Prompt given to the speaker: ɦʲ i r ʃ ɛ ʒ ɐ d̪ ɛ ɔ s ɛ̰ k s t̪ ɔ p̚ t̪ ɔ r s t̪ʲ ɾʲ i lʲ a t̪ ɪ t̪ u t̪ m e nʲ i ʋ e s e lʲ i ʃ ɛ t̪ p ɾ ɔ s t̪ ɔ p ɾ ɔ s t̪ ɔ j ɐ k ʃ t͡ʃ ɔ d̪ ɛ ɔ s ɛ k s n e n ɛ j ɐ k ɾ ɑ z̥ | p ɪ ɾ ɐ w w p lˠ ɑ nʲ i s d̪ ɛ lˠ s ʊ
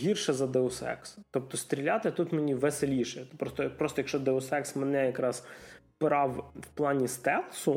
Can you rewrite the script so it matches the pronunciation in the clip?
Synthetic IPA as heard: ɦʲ i r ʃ ɛ z ɐ d̪ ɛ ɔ s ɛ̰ k s t̪ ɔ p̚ t̪ ɔ s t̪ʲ ɾʲ i lʲ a t̪ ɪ t̪ u t̪ m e nʲ i ʋ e s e lʲ i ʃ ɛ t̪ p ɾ ɔ s t̪ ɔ p ɾ ɔ s t̪ ɔ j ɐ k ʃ t͡ʃ ɔ d̪ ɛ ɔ s ɛ k s m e n ɛ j ɐ k ɾ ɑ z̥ | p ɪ ɾ ɑ w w p lˠ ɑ nʲ i s t̪ ɛ lˠ s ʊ